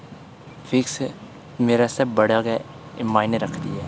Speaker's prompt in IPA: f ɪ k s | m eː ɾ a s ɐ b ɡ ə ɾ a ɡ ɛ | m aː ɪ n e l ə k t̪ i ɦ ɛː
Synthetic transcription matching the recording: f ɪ k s | m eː ɾ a s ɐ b b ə ɽ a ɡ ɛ | m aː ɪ n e ɾ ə kʰ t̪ i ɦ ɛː